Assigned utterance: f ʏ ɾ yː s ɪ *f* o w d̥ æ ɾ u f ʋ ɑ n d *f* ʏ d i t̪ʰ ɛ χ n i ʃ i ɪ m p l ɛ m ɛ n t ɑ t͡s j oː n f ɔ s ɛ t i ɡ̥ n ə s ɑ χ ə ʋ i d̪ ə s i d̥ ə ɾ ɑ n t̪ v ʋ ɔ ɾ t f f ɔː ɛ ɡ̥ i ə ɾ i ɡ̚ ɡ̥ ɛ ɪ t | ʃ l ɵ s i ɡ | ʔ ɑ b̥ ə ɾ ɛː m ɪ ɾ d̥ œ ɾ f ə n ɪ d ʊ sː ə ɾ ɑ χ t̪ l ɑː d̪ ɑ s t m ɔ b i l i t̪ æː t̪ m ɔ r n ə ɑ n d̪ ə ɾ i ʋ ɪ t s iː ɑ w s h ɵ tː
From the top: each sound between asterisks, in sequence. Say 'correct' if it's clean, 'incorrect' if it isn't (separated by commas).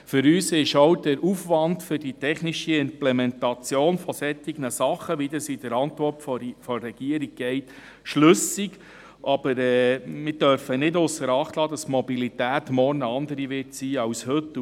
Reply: incorrect, correct